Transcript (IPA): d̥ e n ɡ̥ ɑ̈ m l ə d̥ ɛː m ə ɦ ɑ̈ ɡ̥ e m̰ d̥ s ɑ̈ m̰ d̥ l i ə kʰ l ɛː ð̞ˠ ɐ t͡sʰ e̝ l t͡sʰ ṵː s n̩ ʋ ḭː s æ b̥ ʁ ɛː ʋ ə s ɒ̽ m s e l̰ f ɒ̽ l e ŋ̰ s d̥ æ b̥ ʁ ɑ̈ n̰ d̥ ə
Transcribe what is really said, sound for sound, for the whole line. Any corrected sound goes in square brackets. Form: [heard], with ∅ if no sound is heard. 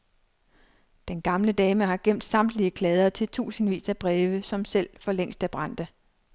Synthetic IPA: d̥ e n ɡ̥ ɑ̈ m l ə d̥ ɛː m ə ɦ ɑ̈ ɡ̥ e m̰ d̥ s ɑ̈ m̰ d̥ l i ə kʰ l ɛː ð̞ˠ ɐ t͡sʰ e̝ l t͡sʰ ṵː s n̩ ʋ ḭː s æ b̥ ʁ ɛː ʋ ə s ɒ̽ m s e l̰ f ɒ̽ l e ŋ̰ s d̥ æ b̥ ʁ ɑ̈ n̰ d̥ ə